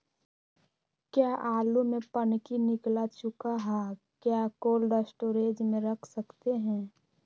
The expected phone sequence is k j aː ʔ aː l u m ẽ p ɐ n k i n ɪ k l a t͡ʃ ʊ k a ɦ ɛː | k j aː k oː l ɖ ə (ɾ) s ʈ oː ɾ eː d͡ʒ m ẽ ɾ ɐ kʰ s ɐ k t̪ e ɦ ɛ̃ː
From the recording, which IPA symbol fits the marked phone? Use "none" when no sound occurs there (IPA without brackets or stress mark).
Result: none